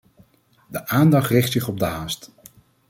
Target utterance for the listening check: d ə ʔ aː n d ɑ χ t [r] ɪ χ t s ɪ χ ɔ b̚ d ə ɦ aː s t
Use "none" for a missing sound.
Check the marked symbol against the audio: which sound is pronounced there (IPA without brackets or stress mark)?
r